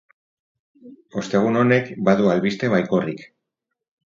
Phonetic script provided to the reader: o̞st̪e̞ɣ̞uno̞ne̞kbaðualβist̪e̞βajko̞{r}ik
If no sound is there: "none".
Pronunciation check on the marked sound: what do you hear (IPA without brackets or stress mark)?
r